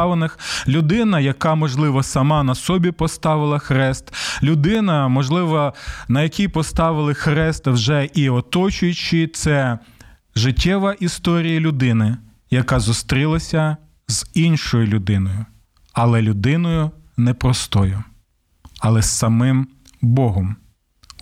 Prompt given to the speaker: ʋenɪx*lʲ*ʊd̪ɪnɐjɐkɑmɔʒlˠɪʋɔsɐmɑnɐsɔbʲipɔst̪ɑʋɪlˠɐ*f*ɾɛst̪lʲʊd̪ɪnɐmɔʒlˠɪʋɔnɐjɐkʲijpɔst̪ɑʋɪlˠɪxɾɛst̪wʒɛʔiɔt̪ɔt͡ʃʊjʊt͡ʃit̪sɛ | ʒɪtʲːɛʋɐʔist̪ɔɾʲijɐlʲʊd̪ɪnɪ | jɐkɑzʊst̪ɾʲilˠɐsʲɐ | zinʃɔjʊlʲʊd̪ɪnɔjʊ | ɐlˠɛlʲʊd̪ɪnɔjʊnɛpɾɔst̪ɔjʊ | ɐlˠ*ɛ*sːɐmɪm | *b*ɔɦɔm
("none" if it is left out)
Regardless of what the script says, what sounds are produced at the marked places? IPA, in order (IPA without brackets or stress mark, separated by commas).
lʲ, x, ɛ, b